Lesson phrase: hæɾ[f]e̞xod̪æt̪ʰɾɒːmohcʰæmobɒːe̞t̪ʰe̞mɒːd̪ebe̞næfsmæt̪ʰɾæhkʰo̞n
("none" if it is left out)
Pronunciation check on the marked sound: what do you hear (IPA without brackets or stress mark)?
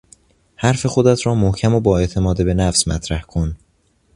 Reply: f